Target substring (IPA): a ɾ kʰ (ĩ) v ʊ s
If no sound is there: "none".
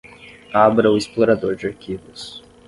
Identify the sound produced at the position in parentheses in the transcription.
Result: i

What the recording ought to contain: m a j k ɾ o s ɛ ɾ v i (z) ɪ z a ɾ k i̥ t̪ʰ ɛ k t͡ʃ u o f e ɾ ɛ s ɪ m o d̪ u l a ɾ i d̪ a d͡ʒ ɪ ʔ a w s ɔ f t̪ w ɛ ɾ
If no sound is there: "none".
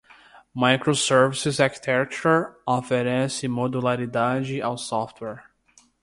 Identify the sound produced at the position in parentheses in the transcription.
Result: s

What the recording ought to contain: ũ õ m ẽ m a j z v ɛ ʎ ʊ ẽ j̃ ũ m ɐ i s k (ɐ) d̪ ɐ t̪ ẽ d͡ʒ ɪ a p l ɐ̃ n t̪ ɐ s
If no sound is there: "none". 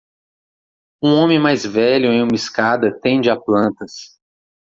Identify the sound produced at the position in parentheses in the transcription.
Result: a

